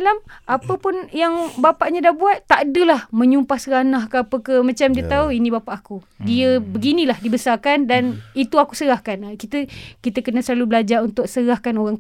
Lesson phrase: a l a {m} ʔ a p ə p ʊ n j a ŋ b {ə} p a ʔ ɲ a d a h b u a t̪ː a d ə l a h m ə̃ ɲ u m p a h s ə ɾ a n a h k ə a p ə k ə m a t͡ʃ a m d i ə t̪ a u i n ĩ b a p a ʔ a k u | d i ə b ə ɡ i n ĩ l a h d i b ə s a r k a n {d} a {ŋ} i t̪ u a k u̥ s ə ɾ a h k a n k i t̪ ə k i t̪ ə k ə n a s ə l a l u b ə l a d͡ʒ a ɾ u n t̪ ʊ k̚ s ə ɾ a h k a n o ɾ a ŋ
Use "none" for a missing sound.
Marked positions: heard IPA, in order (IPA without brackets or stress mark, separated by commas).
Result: m, a, d, n